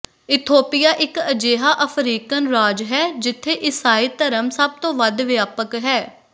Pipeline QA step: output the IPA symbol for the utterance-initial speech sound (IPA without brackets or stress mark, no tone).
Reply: ɪ